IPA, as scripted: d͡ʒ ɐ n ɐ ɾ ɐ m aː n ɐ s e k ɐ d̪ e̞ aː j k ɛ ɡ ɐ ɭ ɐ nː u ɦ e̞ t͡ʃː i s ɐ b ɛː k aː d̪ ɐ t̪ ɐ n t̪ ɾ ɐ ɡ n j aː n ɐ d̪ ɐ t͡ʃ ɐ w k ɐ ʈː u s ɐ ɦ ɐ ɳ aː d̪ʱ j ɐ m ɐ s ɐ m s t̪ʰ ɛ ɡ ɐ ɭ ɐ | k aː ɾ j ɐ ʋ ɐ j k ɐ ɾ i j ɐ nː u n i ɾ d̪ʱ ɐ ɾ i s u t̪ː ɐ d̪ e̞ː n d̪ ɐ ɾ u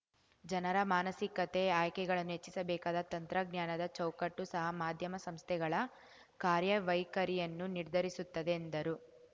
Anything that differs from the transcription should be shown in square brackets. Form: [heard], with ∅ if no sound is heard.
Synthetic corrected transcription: d͡ʒ ɐ n ɐ ɾ ɐ m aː n ɐ s [i] k ɐ [t̪] e̞ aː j k ɛ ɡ ɐ ɭ ɐ nː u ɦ e̞ t͡ʃː i s ɐ b ɛː k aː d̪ ɐ t̪ ɐ n t̪ ɾ ɐ ɡ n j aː n ɐ d̪ ɐ t͡ʃ ɐ w k ɐ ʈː u s ɐ ɦ ɐ [m] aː d̪ʱ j ɐ m ɐ s ɐ m s t̪ʰ ɛ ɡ ɐ ɭ ɐ | k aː ɾ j ɐ ʋ ɐ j k ɐ ɾ i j ɐ nː u n i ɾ d̪ʱ ɐ ɾ i s u t̪ː ɐ d̪ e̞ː n d̪ ɐ ɾ u